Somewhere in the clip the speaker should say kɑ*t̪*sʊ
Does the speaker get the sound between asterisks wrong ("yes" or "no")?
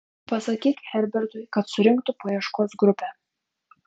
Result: no